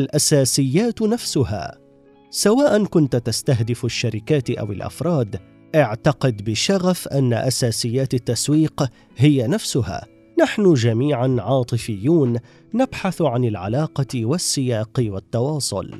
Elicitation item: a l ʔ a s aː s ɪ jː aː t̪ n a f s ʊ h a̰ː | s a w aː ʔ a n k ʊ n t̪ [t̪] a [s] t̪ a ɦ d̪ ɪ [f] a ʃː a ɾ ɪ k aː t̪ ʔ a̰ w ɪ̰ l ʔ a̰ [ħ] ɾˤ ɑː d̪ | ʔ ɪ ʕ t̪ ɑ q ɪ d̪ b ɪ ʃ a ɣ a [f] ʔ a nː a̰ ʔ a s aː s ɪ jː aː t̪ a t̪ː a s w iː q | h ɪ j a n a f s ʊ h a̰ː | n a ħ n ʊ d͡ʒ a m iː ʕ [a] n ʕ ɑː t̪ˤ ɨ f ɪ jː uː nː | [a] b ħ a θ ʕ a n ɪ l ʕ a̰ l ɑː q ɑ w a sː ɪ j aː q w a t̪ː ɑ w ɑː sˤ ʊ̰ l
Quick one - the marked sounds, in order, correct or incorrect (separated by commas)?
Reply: correct, correct, correct, incorrect, correct, correct, correct